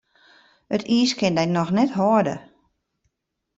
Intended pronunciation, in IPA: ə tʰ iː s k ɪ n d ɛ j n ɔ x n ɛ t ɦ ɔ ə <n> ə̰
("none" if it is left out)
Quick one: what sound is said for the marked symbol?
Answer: d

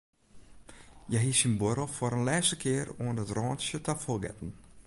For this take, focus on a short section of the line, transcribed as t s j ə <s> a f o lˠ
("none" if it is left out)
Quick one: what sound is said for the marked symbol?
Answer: t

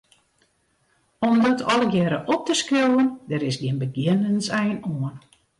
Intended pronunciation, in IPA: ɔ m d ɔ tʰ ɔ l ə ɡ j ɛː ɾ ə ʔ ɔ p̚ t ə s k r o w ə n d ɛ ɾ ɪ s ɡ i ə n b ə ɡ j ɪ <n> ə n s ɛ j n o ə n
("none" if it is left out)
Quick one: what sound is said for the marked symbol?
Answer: n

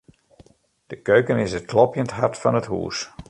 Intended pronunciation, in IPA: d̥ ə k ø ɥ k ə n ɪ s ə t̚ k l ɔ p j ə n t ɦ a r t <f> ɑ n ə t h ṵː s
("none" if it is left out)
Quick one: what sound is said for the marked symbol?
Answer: f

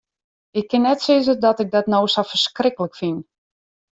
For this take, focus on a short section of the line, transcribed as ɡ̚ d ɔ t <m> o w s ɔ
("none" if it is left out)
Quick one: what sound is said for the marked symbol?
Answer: n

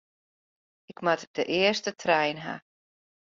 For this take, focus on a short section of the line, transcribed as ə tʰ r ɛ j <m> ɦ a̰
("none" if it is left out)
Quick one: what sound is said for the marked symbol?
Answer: n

